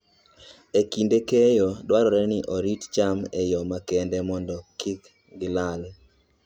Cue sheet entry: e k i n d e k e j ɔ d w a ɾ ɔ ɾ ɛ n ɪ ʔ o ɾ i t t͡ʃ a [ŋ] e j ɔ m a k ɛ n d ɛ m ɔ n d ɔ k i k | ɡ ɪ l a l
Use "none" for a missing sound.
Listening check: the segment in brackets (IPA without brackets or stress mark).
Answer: m